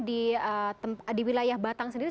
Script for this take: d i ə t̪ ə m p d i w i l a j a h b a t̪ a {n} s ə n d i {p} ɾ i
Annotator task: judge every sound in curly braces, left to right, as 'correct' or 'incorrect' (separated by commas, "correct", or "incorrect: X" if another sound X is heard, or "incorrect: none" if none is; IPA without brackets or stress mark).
incorrect: ŋ, incorrect: none